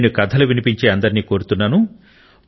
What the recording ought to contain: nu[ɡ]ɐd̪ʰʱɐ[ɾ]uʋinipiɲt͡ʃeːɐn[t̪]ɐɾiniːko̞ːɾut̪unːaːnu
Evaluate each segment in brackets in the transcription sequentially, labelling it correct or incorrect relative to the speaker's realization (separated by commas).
incorrect, incorrect, incorrect